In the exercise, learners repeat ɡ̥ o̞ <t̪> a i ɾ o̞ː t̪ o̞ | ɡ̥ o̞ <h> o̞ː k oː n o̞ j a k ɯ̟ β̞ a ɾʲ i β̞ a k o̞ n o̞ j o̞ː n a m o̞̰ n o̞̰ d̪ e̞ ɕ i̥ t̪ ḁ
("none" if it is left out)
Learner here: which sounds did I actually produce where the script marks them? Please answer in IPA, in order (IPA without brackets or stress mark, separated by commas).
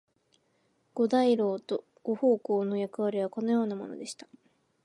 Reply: d̪, h